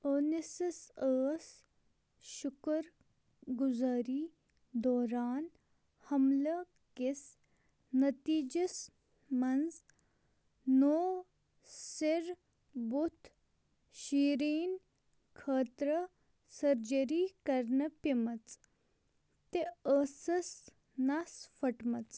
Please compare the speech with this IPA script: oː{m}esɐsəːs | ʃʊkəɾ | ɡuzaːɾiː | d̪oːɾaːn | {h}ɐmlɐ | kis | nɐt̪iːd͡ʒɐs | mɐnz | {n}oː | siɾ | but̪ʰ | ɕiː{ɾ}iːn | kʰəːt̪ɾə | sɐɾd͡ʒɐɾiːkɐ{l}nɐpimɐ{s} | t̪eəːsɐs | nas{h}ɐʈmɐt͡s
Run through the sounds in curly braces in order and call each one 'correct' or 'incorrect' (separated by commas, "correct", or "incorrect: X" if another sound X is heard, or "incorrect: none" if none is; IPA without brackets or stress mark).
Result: incorrect: n, correct, correct, correct, incorrect: ɾ, incorrect: t͡s, incorrect: f